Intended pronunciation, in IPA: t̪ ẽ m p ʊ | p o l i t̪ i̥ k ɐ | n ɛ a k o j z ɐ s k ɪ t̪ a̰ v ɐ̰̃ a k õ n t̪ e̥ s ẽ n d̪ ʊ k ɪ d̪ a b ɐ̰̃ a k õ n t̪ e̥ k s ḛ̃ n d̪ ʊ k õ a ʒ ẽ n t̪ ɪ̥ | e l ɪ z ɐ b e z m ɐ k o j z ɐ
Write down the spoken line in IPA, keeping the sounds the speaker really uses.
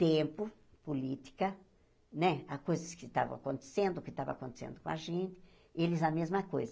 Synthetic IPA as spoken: t̪ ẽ m p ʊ | p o l i t̪ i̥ k ɐ | n ɛ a k o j z ɐ s k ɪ t̪ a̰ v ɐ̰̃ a k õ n t̪ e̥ s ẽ n d̪ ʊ k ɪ t̪ a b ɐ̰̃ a k õ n t̪ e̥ s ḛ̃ n d̪ ʊ k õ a ʒ ẽ n t̪ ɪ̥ | e l ɪ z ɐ m e z m ɐ k o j z ɐ

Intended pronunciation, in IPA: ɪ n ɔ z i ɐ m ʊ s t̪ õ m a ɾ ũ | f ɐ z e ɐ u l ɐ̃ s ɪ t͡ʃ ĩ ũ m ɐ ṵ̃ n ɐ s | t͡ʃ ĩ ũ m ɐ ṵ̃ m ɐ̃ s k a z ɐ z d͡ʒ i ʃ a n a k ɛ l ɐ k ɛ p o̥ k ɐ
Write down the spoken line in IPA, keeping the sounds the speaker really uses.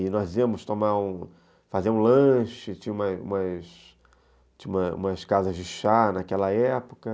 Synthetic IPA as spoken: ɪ n ɔ z i ɐ m ʊ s t̪ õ m a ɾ ũ | f a z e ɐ ũ l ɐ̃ ʃ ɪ t͡ʃ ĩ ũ m ɐ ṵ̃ m ɐ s | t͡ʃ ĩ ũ m ɐ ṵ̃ m ɐ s k a z ɐ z d͡ʒ ɪ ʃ a n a k ɛ l ɐ ɛ p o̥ k ɐ

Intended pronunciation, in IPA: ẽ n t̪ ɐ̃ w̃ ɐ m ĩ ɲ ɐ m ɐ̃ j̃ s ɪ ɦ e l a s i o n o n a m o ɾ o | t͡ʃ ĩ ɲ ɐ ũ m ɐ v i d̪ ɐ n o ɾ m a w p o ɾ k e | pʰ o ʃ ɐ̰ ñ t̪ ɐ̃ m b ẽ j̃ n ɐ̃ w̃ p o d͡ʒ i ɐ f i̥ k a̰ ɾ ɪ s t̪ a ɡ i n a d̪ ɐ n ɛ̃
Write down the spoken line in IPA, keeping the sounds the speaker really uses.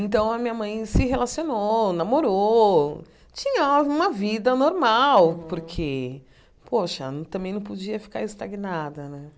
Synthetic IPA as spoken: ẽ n t̪ ɐ̃ w̃ ɐ m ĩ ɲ ɐ m ɐ̃ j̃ s ɪ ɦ e l a s i o n o n a m o ɾ o | t͡ʃ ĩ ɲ ɐ ũ m ɐ v i d̪ ɐ n o ɾ m a w p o ɾ kʰ e | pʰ o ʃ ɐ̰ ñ t̪ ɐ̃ m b ẽ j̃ n ɐ̃ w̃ p o d͡ʒ i ɐ f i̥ k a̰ ɾ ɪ s t̪ a ɡ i n a d̪ ɐ n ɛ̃

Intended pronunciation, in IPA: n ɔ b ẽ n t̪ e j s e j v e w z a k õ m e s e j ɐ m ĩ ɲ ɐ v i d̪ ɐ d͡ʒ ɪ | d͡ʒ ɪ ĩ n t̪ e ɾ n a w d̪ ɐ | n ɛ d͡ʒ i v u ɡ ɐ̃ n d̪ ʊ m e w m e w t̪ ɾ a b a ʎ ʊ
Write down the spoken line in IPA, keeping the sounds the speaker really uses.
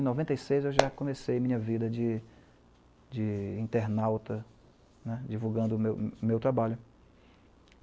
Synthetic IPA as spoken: n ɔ v ẽ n t̪ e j s e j z e w ʒ a k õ m e s e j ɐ m ĩ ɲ ɐ v i d̪ ɐ d͡ʒ ɪ | d͡ʒ ɪ ĩ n t̪ e ɾ n a w t̪ ɐ | n ɛ d͡ʒ i v u ɡ ɐ̃ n d̪ ʊ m e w m e w t̪ ɾ a b a ʎ ʊ

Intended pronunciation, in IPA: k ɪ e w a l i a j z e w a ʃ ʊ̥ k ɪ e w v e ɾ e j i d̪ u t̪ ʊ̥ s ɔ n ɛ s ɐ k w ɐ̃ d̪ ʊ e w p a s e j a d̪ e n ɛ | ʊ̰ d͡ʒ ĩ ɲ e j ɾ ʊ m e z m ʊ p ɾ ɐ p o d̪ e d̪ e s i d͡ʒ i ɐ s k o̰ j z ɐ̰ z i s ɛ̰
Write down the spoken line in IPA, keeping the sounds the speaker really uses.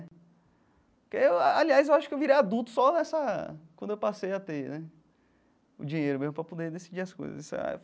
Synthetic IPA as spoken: k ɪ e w a l i a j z e w a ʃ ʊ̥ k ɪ e w v i ɾ e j a d̪ u t̪ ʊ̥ s ɔ n ɛ s ɐ k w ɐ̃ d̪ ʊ e w p a s e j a t̪ e n ɛ | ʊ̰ d͡ʒ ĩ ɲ e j ɾ ʊ m e z m ʊ p ɾ ɐ p o d̪ e d̪ e s i d͡ʒ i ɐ s k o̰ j z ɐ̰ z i s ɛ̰

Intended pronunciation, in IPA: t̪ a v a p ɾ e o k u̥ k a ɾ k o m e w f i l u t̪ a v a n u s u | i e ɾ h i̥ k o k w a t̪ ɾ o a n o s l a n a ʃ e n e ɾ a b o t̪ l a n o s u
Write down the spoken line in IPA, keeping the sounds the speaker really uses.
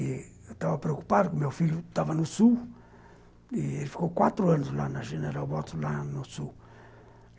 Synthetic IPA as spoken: t̪ a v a p ɾ e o k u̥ p a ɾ k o m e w f i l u t̪ a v a n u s u | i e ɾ f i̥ k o k w a t̪ ɾ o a n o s l a n a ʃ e n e ɾ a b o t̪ l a n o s u

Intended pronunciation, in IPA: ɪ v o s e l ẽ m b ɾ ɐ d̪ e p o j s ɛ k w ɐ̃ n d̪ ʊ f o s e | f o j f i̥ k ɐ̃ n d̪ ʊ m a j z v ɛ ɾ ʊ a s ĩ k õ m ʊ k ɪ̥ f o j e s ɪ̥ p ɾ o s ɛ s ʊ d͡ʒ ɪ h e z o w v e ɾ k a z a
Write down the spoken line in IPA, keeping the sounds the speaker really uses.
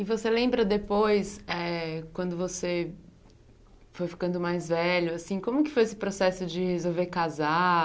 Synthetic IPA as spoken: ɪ v o s e l ẽ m b ɾ ɐ d̪ e p o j s ɛ k w ɐ̃ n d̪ ʊ v o s e | f o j f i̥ k ɐ̃ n d̪ ʊ m a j z v ɛ ʎ ʊ a s ĩ k õ m ʊ k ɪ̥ f o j e s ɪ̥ p ɾ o s ɛ s ʊ d͡ʒ ɪ h e z o w v e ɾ k a z a

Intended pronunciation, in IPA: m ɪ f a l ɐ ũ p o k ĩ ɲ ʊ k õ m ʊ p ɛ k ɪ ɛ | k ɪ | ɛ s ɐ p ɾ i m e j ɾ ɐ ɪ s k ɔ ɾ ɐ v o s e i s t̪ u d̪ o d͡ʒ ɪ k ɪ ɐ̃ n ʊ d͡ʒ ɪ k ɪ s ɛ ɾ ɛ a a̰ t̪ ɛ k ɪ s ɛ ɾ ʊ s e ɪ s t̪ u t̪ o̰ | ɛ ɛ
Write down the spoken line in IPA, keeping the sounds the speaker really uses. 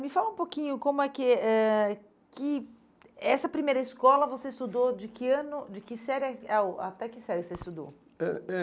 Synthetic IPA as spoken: m ɪ f a l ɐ ũ p o k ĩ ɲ ʊ k õ m ʊ ɛ k ɪ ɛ | k ɪ | ɛ s ɐ p ɾ i m e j ɾ ɐ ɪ s k ɔ l ɐ v o s e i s t̪ u d̪ o d͡ʒ ɪ k ɪ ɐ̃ n ʊ d͡ʒ ɪ k ɪ s ɛ ɾ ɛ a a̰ t̪ ɛ k ɪ s ɛ ɾ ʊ s e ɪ s t̪ u d̪ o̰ | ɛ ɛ

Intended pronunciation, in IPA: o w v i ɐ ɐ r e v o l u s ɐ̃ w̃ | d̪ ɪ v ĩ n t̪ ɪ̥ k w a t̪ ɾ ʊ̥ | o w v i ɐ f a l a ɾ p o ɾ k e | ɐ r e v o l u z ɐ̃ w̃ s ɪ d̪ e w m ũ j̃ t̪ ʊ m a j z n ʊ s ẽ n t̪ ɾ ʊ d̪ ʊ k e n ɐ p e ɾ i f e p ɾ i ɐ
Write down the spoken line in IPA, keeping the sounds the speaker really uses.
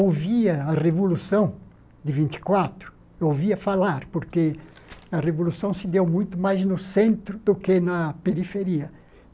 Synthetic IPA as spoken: o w v i ɐ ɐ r e v o l u s ɐ̃ w̃ | d̪ ɪ v ĩ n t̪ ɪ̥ k w a t̪ ɾ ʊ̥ | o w v i ɐ f a l a ɾ p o ɾ k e | ɐ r e v o l u s ɐ̃ w̃ s ɪ d̪ e w m ũ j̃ t̪ ʊ m a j z n ʊ s ẽ n t̪ ɾ ʊ d̪ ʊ k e n ɐ p e ɾ i f e ɾ i ɐ

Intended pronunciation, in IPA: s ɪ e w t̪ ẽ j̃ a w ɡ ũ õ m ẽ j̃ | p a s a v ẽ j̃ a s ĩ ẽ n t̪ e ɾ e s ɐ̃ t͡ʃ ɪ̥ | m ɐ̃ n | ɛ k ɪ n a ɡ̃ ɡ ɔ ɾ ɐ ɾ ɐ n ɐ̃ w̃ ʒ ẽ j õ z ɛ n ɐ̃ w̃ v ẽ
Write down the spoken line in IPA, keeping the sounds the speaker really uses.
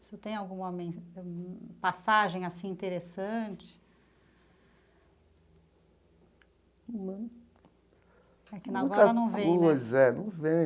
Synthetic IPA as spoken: s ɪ e w t̪ ẽ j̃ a w ɡ ũ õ m ẽ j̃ | p a s a ʒ ẽ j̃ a s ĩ ĩ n t̪ e ɾ e s ɐ̃ t͡ʃ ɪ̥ | m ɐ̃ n | ɛ k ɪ n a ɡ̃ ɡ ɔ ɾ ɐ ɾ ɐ n ɐ̃ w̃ v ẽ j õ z ɛ n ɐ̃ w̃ v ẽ

